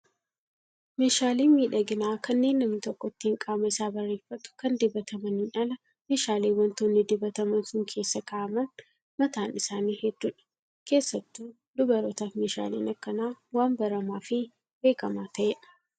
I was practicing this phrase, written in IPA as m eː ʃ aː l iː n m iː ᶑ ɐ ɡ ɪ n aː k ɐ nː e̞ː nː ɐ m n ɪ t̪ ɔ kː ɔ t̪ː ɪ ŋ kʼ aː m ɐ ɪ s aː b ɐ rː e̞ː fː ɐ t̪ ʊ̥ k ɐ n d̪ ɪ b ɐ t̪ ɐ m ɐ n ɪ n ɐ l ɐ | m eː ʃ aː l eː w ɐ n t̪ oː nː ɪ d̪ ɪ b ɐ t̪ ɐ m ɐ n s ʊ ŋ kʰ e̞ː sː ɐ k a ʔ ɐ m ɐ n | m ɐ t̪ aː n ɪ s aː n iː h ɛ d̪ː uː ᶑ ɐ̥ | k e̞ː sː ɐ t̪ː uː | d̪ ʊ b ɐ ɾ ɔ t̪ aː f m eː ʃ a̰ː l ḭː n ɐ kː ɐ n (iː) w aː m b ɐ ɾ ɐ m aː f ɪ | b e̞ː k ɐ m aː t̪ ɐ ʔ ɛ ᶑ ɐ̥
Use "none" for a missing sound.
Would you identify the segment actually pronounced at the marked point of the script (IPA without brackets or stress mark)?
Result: aː